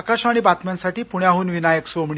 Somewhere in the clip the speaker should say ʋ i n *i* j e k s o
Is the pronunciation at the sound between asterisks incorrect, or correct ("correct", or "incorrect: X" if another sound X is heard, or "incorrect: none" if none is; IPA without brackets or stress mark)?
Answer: incorrect: a